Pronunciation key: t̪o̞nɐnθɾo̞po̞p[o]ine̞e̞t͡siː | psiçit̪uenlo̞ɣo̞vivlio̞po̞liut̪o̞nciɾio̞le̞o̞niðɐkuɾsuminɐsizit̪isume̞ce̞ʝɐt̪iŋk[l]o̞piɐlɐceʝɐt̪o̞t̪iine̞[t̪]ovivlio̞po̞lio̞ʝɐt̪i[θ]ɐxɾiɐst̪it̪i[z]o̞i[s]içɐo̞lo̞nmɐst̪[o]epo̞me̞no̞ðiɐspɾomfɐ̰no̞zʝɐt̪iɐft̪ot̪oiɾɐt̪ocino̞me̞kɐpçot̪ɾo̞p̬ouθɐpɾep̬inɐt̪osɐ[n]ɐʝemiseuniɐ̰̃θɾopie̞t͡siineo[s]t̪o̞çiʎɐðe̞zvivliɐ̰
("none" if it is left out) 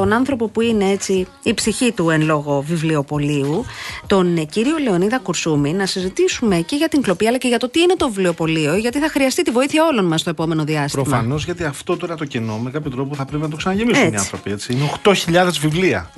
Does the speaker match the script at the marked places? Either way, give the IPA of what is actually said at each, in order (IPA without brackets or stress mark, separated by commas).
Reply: u, l, t̪, θ, v, θ, o, n, x